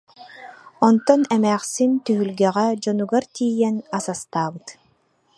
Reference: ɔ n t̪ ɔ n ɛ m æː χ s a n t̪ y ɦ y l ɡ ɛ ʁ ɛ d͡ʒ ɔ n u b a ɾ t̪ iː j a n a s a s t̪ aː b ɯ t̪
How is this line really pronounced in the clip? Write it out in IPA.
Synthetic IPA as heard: ɔ n t̪ ɔ n ɛ m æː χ s i n t̪ y ɦ y l ɡ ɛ ʁ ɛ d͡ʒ ɔ n u ɡ a ɾ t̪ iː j ɛ n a s a s t̪ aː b ɯ t̪